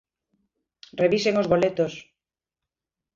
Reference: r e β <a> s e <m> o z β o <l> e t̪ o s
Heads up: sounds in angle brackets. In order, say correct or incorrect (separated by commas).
incorrect, incorrect, correct